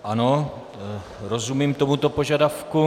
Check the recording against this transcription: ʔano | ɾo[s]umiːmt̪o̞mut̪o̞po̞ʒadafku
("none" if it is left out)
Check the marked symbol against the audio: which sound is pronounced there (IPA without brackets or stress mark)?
z